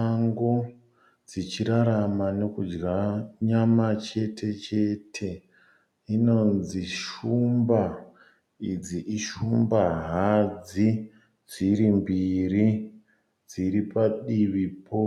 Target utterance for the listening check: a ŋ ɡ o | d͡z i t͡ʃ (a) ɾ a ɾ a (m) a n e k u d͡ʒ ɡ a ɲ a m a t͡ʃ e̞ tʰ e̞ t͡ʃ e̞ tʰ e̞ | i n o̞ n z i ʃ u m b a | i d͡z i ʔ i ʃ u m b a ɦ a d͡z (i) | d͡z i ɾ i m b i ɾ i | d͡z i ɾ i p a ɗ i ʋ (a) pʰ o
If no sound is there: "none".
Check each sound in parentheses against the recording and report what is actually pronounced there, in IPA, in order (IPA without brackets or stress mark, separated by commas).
i, m, i, i